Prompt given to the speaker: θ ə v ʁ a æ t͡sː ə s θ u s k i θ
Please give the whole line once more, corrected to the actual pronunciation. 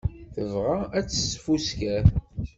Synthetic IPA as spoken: θ ə v ʁ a æ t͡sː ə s f u s k æ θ